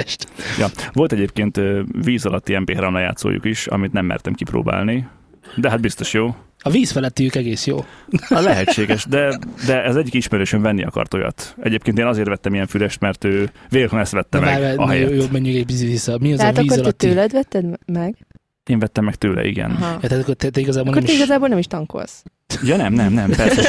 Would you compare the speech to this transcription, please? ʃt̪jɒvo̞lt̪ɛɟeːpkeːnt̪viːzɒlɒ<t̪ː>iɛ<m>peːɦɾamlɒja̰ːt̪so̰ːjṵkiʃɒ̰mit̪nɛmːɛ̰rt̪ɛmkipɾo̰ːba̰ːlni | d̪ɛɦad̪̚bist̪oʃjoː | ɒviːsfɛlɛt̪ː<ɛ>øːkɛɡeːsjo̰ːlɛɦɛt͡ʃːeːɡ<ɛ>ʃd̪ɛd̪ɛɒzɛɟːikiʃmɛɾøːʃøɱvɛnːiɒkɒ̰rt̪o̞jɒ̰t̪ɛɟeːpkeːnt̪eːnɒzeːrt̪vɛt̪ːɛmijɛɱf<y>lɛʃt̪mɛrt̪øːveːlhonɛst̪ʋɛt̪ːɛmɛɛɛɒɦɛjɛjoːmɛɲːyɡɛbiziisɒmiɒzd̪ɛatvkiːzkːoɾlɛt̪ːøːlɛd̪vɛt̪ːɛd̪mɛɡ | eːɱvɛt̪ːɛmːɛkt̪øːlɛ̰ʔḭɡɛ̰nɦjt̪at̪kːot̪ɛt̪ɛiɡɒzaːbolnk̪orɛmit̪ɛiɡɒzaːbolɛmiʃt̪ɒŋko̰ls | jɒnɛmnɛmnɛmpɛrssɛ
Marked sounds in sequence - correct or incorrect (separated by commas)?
correct, correct, incorrect, correct, correct